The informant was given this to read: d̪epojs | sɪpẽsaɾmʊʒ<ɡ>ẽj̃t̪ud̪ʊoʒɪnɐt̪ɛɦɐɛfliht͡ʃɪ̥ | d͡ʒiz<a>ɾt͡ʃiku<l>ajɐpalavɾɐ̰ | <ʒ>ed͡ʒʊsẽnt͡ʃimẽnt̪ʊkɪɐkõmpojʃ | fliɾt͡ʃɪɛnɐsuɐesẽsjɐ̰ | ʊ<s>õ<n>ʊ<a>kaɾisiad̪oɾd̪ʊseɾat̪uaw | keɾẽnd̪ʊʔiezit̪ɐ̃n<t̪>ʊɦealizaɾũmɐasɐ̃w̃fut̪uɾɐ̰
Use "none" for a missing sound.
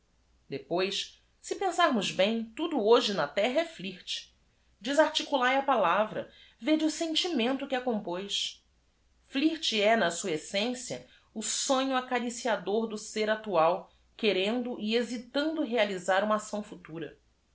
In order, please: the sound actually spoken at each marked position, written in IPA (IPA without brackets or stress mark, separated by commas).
b, a, l, v, s, ɲ, a, d̪